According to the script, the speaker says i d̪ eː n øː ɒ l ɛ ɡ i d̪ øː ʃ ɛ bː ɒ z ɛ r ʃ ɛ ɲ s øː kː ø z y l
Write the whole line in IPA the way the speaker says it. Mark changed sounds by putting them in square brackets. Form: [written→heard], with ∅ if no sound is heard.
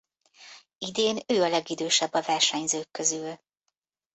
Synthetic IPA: i d̪ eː n øː ɒ l ɛ ɡ i d̪ øː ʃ ɛ bː ɒ [z→v] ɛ r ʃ ɛ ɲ [s→z] øː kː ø z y l